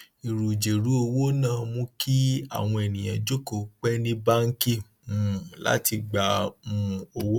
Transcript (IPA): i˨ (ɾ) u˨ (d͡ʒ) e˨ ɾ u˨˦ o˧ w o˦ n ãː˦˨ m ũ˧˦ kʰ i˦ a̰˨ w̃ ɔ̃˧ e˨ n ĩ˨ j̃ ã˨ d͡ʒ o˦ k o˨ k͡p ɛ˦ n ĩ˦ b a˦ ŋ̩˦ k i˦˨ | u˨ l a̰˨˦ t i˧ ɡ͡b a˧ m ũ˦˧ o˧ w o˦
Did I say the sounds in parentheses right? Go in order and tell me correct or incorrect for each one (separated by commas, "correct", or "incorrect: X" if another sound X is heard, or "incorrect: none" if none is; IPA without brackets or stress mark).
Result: correct, correct